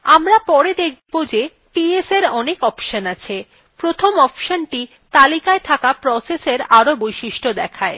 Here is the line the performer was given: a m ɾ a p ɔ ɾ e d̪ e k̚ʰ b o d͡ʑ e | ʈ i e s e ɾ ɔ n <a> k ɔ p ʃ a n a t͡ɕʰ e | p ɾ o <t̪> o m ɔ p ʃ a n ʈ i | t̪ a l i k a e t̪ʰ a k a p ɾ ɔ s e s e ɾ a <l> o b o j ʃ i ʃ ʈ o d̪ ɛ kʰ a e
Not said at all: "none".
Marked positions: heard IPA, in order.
e, t̪ʰ, ɾ

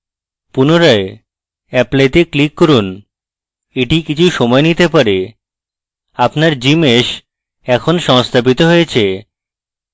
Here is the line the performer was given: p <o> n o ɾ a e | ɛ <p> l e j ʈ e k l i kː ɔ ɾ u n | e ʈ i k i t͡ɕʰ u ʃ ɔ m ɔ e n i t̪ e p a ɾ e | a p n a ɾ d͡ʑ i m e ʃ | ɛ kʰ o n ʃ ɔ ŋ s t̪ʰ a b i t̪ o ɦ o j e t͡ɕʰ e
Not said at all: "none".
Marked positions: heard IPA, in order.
u, p

